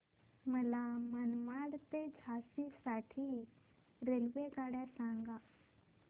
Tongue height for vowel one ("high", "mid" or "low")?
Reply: mid